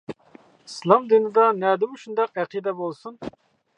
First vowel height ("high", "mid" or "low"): high